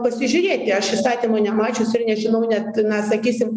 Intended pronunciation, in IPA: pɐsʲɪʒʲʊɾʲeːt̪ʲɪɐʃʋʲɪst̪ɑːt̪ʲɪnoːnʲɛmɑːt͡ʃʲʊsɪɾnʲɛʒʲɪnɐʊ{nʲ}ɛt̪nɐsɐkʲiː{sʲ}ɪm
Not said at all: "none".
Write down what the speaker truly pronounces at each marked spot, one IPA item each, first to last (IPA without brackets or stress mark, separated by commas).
nʲ, sʲ